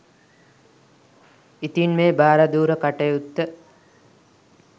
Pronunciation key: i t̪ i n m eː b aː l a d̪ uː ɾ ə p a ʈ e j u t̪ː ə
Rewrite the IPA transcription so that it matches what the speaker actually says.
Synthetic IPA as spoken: i t̪ i n m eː b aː ɾ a d̪ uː ɾ ə k a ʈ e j u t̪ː ə